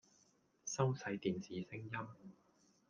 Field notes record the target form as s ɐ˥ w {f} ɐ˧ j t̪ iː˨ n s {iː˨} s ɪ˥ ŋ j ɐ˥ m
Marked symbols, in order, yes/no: no, yes

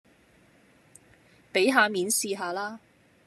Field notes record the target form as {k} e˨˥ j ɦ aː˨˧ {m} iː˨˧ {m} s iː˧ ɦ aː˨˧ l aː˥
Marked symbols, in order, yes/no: no, yes, no

